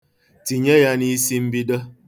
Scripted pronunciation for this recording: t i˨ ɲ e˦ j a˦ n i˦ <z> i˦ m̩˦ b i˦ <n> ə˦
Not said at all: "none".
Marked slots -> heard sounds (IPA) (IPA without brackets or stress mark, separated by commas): s, d